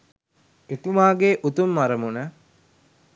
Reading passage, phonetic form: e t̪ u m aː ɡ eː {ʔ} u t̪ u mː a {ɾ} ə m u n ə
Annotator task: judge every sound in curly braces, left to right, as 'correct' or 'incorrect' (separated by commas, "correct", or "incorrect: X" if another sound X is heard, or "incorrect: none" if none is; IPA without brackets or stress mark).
correct, correct